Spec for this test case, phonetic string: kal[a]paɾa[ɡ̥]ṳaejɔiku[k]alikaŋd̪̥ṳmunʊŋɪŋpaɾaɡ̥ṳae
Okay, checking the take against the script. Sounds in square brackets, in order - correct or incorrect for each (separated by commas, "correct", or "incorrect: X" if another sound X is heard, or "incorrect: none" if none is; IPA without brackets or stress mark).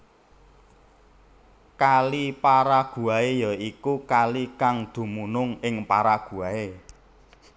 incorrect: i, correct, correct